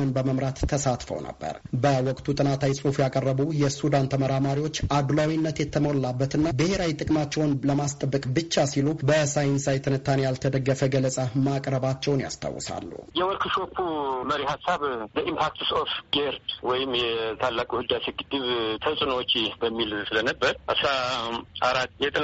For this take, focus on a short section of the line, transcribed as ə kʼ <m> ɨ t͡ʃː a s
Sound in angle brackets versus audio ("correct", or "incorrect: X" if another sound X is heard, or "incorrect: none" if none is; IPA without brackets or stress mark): incorrect: b